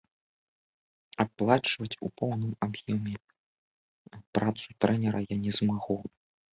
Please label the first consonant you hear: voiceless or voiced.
voiceless